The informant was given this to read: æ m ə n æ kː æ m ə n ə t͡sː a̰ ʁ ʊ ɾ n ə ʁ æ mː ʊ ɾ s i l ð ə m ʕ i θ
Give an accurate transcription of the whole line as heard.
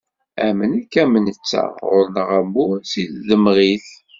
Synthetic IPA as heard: æ m ə n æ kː æ m ə n ə t͡sː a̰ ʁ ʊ ɾ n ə ʁ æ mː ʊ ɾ s i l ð ə m ʁ i θ